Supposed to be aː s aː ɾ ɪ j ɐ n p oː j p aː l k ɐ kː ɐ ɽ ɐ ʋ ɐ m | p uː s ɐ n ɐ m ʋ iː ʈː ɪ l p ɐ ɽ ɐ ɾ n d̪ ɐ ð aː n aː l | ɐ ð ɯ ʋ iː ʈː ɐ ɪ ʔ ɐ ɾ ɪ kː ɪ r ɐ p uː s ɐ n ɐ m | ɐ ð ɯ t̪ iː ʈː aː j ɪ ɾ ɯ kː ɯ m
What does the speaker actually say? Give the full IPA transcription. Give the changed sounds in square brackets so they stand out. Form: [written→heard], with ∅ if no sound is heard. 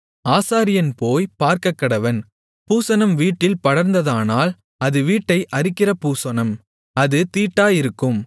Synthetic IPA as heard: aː s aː ɾ ɪ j ɐ n p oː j p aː [l→ɾ] k ɐ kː ɐ ɽ ɐ ʋ ɐ [m→n] | p uː s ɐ n ɐ m ʋ iː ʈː ɪ l p ɐ ɽ ɐ ɾ n d̪ ɐ ð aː n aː l | ɐ ð ɯ ʋ iː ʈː ɐ ɪ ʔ ɐ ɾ ɪ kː ɪ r ɐ p uː s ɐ n ɐ m | ɐ ð ɯ t̪ iː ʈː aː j ɪ ɾ ɯ kː ɯ m

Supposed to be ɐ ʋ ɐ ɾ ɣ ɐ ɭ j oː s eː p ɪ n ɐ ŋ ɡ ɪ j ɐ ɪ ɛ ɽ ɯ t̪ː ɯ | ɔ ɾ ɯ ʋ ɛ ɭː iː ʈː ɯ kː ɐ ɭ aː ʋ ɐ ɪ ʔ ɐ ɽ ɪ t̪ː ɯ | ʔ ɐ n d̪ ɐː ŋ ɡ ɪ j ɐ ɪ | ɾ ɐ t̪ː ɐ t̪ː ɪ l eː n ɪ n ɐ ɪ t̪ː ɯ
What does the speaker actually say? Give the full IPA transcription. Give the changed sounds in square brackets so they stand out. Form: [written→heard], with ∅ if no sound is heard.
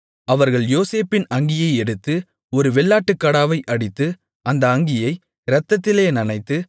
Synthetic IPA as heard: ɐ ʋ ɐ ɾ ɣ ɐ ɭ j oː s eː p ɪ n ɐ ŋ ɡ ɪ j ɐ ɪ ɛ ɽ ɯ t̪ː ɯ | ɔ ɾ ɯ ʋ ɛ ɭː [iː→aː] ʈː ɯ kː ɐ [ɭ→ɽ] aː ʋ ɐ ɪ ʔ ɐ ɽ ɪ t̪ː ɯ | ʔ ɐ n d̪ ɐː ŋ ɡ ɪ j ɐ ɪ | ɾ ɐ t̪ː ɐ t̪ː ɪ l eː n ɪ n ɐ ɪ t̪ː ɯ

